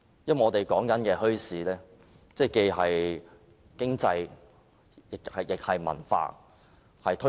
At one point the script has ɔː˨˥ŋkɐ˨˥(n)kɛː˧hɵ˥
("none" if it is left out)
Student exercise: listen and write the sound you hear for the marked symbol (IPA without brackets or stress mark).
n